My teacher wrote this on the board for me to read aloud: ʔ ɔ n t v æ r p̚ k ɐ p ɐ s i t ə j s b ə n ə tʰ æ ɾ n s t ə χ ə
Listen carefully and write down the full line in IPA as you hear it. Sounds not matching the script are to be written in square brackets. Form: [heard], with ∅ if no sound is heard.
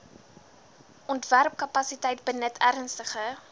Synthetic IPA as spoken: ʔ ɔ n t v æ r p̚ k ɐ p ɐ s i t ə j [t] b ə n ə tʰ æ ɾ n s t ə χ ə